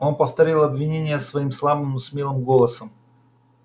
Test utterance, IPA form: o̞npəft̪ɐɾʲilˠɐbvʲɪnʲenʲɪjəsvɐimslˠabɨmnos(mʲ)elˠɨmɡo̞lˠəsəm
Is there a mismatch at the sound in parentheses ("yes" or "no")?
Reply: no